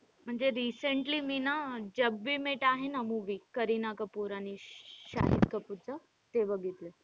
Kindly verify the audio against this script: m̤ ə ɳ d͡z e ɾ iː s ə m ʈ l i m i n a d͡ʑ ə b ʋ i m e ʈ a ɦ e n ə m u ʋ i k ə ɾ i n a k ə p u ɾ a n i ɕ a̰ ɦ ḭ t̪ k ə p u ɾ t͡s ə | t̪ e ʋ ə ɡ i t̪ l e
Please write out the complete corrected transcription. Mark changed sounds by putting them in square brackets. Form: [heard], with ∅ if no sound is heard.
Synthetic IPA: m̤ ə ɳ d͡z e ɾ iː s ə [ɳ] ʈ l i m i n a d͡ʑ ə b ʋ i m e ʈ a ɦ e n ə m u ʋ i k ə ɾ i n a k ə p u ɾ a n i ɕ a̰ ɦ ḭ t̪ k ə p u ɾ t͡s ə | t̪ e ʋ ə ɡ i t̪ l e

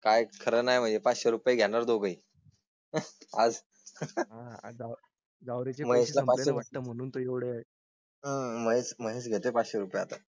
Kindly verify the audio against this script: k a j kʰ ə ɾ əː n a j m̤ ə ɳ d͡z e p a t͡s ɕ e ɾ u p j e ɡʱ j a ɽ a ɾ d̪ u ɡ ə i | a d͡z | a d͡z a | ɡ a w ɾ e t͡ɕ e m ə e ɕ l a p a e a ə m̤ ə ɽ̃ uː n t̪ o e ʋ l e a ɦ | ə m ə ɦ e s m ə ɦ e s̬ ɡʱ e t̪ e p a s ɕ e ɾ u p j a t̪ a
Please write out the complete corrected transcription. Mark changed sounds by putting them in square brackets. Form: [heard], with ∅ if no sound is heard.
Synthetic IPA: k a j kʰ ə ɾ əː n a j m̤ ə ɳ d͡z e p a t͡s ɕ e ɾ u p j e ɡʱ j a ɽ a ɾ d̪ [o] ɡ ə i | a d͡z | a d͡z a | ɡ a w ɾ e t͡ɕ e m ə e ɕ l a p a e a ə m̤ ə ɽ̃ uː n t̪ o e ʋ [ɽ] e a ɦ | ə m ə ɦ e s m ə ɦ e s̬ ɡʱ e t̪ e p a [t͡s] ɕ e ɾ u p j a t̪ a

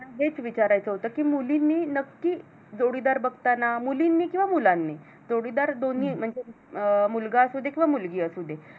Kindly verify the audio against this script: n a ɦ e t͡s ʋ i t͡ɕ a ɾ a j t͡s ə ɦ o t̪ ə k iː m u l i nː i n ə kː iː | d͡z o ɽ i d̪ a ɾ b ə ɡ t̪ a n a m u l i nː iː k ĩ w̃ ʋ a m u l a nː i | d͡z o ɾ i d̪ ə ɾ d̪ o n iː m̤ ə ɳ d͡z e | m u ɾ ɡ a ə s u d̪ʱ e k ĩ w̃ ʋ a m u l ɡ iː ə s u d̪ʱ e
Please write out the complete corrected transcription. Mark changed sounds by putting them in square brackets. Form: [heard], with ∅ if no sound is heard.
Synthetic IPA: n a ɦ e t͡s ʋ i t͡ɕ a ɾ a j t͡s ə ɦ o t̪ ə k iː m u l i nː i n ə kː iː | d͡z o ɽ i d̪ a ɾ b ə ɡ t̪ a n a m u l i nː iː k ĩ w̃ ʋ a m u l a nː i | d͡z o [ɽ] i d̪ [a] ɾ d̪ o n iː m̤ ə ɳ d͡z e | m u [l] ɡ a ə s u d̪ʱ e k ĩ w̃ ʋ a m u l ɡ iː ə s u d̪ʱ e

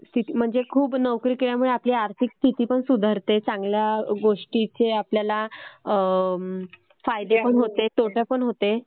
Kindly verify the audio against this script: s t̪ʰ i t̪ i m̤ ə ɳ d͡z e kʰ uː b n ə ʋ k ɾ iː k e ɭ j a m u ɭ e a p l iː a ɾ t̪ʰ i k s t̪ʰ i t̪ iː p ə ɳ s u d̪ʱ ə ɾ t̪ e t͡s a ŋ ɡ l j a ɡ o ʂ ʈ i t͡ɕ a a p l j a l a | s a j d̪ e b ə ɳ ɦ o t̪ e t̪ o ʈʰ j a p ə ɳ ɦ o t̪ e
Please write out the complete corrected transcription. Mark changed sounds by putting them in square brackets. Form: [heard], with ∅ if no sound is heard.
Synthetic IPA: s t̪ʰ i t̪ i m̤ ə ɳ d͡z e kʰ uː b n ə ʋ k ɾ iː k e ɭ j a m u ɭ e a p l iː a ɾ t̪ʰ i k s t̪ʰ i t̪ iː p ə ɳ s u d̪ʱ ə ɾ t̪ e t͡s a ŋ ɡ l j a ɡ o ʂ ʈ i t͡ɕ [e] a p l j a l a | [f] a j d̪ e [p] ə ɳ ɦ o t̪ e t̪ o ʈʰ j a p ə ɳ ɦ o t̪ e

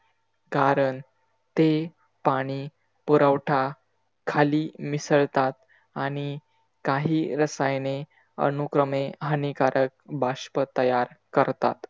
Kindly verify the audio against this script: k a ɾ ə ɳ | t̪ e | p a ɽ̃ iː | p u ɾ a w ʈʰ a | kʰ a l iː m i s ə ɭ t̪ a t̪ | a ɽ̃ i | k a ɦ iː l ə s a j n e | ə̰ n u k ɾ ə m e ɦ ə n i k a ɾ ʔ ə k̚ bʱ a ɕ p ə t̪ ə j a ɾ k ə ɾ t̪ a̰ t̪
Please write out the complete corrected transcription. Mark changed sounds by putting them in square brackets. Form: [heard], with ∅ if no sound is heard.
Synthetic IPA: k a ɾ ə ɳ | t̪ e | p a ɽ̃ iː | p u ɾ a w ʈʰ a | kʰ a l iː m i s ə ɭ t̪ a t̪ | a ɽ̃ i | k a ɦ iː [ɾ] ə s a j n e | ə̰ n u k ɾ ə m e ɦ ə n i k a ɾ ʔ ə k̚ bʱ a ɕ p ə t̪ ə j a ɾ k ə ɾ t̪ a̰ t̪

